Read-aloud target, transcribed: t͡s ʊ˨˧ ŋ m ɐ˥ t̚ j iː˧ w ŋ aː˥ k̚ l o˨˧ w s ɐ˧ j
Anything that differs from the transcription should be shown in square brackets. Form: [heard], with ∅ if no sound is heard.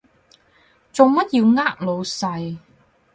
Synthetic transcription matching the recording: t͡s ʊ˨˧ ŋ m ɐ˥ t̚ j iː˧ w ŋ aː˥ k̚ l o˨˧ w s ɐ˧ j